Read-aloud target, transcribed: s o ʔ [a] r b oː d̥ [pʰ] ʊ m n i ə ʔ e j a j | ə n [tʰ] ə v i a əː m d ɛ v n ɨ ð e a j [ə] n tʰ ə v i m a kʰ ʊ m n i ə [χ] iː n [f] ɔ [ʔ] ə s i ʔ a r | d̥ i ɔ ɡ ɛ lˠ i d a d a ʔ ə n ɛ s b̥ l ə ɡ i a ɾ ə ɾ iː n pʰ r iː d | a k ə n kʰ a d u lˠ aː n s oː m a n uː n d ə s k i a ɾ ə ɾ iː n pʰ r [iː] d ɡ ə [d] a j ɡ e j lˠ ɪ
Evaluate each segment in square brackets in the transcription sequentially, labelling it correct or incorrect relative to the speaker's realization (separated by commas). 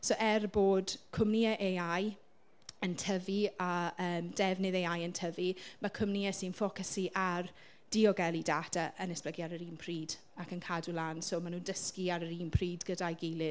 incorrect, incorrect, correct, correct, incorrect, correct, incorrect, correct, correct